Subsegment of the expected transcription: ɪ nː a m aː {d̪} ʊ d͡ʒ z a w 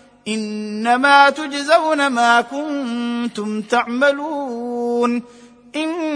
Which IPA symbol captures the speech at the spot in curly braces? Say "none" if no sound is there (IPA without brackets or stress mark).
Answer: t̪